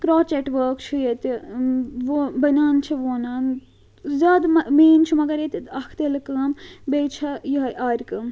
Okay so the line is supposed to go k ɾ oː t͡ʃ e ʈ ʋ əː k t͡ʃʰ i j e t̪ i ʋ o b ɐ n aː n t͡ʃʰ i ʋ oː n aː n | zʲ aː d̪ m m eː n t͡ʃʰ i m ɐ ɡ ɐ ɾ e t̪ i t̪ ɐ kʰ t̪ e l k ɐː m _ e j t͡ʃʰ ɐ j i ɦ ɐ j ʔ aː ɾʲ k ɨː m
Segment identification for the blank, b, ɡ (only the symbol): b